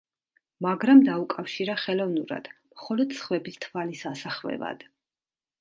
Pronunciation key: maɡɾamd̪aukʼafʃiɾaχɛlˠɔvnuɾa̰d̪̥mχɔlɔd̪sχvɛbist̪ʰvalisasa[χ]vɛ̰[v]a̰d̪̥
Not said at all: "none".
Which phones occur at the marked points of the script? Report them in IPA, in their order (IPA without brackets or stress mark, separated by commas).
χ, v